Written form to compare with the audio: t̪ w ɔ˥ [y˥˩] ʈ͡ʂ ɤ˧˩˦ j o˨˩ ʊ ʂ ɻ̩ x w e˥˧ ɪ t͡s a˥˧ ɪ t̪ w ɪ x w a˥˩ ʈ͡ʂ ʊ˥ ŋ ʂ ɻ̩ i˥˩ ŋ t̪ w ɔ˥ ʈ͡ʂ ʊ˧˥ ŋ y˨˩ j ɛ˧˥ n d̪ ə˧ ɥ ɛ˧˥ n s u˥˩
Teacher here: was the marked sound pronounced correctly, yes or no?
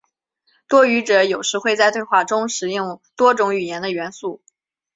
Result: no